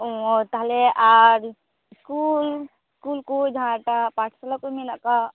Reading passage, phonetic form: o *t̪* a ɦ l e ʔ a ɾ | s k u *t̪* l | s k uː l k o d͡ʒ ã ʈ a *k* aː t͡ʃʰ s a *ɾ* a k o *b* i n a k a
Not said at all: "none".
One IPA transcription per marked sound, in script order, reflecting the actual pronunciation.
t̪, none, p, l, m

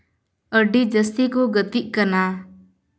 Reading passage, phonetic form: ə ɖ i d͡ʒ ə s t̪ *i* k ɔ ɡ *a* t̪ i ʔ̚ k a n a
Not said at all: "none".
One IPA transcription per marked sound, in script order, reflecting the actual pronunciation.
i, ə

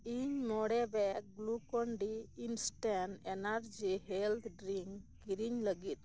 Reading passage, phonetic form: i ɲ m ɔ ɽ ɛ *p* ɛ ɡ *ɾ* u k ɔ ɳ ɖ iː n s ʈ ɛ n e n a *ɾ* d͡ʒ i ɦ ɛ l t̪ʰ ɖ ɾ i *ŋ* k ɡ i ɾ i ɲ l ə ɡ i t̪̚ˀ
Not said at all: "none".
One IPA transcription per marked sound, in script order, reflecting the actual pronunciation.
b, l, ɾ, ŋ

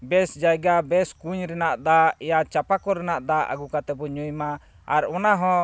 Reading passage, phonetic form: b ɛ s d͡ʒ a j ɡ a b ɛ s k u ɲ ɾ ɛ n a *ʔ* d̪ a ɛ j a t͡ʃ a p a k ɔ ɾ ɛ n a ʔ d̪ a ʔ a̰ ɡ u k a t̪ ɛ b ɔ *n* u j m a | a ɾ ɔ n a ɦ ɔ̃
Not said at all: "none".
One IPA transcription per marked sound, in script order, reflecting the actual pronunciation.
ʔ, ɲ

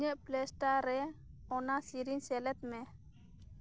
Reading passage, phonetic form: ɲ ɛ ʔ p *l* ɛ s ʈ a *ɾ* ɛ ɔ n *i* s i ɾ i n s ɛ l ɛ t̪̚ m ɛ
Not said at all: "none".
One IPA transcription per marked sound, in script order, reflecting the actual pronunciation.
l, ɾ, a

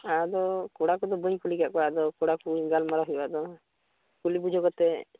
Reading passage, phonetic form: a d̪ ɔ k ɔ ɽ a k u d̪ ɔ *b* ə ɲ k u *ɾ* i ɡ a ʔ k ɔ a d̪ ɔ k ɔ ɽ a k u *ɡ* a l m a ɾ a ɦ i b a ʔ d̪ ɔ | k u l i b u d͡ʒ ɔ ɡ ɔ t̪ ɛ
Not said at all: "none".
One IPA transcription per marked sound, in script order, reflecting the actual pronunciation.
b, l, ɡ

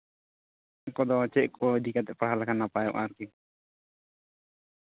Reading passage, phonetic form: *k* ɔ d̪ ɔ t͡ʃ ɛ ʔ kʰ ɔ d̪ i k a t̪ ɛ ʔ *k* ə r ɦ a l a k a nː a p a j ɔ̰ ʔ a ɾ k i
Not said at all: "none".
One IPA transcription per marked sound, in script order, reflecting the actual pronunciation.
k, p

